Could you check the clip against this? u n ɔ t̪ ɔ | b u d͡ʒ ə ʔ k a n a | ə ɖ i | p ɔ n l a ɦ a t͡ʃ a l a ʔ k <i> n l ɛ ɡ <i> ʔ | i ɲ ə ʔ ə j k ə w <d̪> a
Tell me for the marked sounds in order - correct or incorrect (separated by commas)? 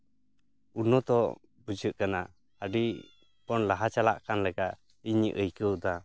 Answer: incorrect, incorrect, correct